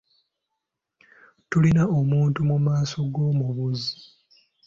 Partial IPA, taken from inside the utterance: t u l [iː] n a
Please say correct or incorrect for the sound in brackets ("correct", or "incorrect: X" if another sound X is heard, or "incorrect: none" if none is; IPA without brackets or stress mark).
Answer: incorrect: i